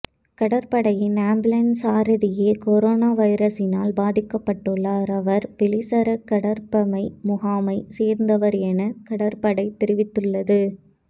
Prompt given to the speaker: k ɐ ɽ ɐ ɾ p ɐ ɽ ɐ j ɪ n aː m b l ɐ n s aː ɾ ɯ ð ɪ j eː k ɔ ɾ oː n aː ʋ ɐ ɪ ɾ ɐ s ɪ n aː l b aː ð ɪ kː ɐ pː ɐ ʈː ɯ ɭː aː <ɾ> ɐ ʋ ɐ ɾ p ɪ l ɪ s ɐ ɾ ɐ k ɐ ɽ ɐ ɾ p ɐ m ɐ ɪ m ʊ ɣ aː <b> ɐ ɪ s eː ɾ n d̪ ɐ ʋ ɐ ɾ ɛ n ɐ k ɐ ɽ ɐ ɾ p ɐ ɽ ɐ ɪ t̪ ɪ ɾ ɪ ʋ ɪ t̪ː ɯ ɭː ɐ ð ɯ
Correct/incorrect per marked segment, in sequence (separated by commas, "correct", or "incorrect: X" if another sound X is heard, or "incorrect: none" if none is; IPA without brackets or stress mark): correct, incorrect: m